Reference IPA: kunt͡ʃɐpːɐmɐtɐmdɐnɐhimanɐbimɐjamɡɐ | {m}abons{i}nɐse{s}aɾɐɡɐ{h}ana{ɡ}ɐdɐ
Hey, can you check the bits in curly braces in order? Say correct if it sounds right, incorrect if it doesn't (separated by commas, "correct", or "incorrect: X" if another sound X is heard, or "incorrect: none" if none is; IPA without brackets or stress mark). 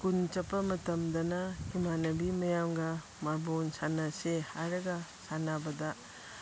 correct, incorrect: a, incorrect: h, incorrect: s, incorrect: b